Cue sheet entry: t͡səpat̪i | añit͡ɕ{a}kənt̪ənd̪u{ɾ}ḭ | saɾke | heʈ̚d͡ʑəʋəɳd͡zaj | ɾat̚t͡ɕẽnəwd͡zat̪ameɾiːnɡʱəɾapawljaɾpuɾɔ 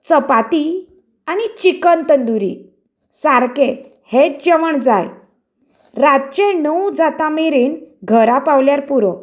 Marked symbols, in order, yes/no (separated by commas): no, yes